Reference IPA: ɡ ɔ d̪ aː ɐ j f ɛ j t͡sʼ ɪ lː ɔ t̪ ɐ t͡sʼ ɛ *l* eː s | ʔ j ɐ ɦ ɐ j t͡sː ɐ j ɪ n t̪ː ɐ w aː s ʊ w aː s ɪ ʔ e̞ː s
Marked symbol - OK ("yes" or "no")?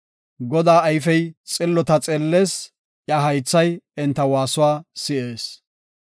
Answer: no